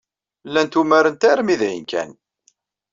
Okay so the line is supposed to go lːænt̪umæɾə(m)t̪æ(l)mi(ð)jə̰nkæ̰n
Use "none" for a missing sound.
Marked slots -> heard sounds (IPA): n, ɾ, ð

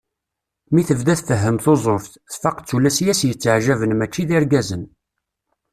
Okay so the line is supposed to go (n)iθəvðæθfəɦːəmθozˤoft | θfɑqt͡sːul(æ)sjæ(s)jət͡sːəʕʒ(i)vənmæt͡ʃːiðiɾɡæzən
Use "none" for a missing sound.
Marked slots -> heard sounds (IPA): m, æ, s, æ

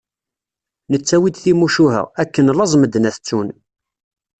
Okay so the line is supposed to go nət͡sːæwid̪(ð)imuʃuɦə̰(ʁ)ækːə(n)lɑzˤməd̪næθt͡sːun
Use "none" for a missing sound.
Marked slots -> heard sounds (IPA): θ, ʁ, n

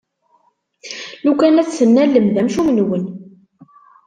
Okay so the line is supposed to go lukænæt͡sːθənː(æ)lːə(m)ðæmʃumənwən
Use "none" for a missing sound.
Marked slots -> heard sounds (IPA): æ, m

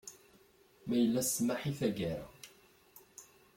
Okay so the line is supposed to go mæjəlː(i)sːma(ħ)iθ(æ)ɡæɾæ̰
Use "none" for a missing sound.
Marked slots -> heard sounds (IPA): æ, ħ, æ

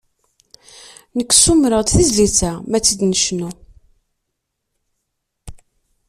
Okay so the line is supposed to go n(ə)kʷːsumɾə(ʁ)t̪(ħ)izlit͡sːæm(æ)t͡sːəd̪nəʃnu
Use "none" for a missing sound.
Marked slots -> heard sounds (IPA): ə, ʁ, θ, æ

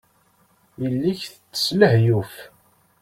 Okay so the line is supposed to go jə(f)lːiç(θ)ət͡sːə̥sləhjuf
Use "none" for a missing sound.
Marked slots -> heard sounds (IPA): none, θ

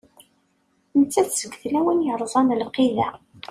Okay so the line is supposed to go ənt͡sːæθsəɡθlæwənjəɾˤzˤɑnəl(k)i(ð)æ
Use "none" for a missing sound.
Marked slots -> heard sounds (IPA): q, ð

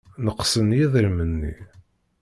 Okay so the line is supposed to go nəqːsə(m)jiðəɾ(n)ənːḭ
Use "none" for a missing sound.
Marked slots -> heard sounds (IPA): n, m

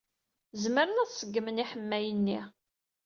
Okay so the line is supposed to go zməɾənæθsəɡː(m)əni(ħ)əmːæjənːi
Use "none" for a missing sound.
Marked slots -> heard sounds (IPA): m, ħ

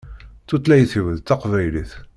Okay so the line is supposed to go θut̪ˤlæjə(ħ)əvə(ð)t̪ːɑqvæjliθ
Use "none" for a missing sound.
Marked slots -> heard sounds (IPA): θ, ð

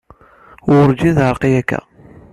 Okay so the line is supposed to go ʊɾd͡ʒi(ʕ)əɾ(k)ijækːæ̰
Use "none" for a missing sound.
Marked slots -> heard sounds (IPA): ð, q

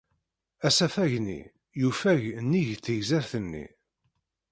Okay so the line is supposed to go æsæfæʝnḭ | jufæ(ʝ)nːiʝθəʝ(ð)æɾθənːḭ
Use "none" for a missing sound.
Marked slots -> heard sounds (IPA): ʝ, z

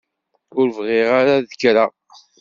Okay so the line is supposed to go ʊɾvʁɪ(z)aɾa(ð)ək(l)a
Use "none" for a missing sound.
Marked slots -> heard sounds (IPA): ʁ, ð, ɾ

